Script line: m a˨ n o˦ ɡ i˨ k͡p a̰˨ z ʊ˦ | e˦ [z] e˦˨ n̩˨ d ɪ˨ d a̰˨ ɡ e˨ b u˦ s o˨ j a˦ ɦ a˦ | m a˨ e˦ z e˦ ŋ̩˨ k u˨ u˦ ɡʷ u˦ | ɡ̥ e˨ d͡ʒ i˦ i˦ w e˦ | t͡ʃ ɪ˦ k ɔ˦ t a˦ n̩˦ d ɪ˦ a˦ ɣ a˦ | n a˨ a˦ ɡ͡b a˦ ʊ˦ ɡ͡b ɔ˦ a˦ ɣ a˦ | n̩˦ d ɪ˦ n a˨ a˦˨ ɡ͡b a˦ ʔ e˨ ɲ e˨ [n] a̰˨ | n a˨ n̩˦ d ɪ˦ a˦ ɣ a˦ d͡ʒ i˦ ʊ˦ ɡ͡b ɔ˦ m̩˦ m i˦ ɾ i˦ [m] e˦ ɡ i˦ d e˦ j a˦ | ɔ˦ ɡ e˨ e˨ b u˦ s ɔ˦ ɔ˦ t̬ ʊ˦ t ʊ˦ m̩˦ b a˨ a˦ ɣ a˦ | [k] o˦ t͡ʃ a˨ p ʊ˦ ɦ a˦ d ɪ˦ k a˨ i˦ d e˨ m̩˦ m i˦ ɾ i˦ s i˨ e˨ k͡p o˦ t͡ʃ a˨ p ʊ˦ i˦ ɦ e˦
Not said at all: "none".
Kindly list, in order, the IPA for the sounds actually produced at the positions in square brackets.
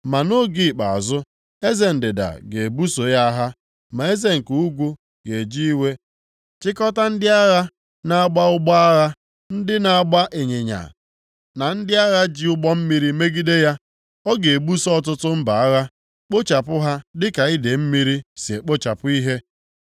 z, ɲ, m, k͡p

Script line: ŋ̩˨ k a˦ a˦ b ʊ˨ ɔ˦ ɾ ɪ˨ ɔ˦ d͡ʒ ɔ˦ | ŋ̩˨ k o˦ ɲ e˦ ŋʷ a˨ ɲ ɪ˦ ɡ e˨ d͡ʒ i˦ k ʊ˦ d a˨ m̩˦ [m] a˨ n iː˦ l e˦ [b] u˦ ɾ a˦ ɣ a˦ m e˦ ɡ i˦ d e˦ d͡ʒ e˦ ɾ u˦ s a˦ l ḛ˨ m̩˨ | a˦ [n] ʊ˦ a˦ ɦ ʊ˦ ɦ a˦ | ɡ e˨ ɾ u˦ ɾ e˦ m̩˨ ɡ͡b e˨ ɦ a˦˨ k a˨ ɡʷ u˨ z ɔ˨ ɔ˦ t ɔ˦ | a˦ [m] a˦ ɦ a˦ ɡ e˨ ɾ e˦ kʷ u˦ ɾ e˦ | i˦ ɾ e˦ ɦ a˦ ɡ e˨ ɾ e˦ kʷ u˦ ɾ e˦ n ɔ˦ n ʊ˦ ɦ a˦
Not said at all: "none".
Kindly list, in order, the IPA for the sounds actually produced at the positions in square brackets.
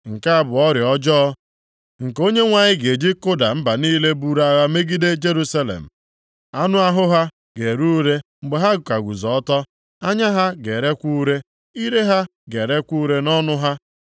b, b, n, ɲ

